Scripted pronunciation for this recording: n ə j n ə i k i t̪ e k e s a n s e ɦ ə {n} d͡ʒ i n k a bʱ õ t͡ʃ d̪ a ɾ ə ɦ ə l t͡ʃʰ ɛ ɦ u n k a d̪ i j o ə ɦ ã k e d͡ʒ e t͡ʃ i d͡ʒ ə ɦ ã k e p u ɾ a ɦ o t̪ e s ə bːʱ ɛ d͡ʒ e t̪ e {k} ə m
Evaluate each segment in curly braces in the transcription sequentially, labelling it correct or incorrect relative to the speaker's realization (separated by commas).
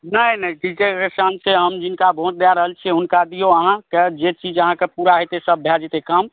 incorrect, correct